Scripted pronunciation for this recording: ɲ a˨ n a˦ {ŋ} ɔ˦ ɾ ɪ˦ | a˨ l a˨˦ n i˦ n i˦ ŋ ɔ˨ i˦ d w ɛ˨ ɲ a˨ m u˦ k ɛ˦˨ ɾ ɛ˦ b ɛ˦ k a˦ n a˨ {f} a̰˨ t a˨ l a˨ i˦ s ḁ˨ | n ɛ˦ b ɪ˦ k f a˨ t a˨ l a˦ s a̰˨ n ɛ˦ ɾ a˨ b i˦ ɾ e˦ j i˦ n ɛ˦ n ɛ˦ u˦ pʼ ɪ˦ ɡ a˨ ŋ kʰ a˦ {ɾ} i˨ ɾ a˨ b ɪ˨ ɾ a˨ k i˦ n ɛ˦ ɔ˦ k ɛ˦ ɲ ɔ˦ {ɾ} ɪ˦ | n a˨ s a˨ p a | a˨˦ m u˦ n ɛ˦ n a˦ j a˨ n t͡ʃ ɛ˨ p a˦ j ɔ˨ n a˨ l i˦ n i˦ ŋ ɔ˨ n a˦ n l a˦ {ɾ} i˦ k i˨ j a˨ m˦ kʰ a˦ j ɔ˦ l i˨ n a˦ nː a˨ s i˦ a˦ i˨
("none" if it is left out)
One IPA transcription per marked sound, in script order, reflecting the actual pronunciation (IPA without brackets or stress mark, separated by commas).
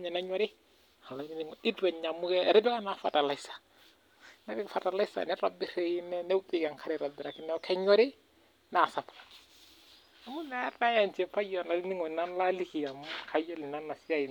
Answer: ɲ, f, ɾ, ɾ, l